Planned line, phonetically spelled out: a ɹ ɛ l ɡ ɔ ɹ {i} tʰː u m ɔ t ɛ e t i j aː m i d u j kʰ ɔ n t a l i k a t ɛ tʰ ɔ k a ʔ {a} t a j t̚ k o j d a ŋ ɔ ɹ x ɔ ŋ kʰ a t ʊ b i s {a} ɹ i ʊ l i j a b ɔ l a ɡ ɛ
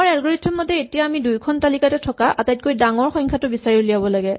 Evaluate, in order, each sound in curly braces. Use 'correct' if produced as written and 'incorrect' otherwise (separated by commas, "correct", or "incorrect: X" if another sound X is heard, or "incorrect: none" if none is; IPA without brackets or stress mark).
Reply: correct, correct, correct